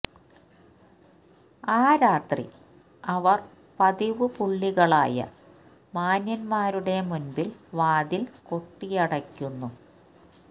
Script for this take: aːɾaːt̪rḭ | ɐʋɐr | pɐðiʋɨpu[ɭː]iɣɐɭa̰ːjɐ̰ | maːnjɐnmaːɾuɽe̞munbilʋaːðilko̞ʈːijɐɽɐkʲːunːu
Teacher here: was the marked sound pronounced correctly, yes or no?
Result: yes